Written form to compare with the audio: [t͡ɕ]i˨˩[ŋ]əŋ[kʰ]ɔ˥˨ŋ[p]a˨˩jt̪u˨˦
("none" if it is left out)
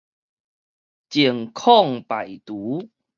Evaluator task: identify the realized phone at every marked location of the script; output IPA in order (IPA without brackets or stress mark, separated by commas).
t͡ɕ, none, kʰ, p